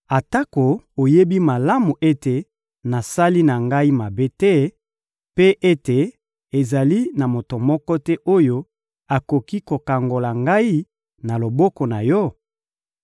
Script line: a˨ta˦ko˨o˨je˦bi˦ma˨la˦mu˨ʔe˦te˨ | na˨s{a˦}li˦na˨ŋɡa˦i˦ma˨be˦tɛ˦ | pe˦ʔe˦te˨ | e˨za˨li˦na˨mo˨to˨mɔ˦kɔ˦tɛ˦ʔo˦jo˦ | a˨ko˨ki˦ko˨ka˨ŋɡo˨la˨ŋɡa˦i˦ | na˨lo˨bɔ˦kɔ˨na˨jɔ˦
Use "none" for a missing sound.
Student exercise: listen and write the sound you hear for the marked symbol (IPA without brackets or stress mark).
a˦